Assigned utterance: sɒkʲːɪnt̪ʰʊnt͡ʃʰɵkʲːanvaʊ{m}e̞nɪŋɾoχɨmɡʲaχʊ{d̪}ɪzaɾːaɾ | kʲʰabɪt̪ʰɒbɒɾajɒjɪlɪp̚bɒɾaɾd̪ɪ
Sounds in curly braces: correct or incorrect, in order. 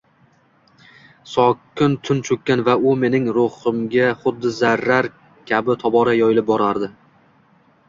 correct, incorrect

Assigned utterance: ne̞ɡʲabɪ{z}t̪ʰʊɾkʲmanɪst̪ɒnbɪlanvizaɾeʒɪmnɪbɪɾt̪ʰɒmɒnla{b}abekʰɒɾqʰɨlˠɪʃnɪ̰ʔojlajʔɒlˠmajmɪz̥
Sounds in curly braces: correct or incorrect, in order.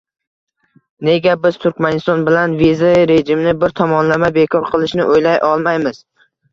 correct, incorrect

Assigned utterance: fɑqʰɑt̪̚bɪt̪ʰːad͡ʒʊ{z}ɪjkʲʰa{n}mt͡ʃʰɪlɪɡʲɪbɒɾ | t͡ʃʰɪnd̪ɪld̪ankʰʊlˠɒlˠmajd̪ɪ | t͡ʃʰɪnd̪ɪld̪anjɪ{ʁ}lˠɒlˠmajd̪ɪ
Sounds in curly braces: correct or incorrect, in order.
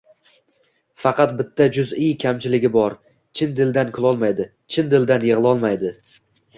correct, incorrect, correct

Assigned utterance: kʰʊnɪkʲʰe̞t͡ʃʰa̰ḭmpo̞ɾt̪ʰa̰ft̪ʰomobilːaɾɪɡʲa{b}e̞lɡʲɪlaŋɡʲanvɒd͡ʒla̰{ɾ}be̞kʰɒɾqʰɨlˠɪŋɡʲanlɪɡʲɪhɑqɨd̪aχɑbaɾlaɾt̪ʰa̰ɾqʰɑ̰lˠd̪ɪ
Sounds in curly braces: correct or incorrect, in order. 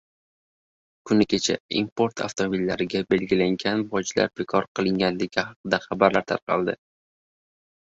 correct, correct

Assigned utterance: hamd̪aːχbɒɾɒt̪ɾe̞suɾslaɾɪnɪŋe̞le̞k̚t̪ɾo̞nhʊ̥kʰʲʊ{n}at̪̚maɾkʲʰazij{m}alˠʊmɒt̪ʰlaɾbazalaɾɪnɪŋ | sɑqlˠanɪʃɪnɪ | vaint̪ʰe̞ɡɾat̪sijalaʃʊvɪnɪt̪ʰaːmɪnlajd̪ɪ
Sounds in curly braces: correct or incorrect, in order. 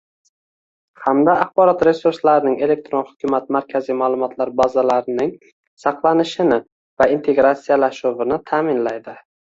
incorrect, correct

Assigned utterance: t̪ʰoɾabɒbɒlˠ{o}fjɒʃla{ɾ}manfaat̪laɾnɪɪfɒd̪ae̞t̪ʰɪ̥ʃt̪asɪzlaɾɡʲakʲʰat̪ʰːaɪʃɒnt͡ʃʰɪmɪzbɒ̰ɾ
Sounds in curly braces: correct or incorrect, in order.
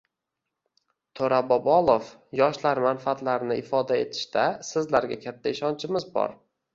correct, correct

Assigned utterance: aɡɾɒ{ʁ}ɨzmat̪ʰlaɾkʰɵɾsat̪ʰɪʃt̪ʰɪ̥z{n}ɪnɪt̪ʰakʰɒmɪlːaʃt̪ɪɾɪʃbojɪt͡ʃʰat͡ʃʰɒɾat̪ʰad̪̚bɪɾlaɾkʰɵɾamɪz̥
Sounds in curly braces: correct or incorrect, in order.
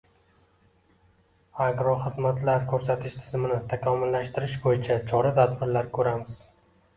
incorrect, incorrect

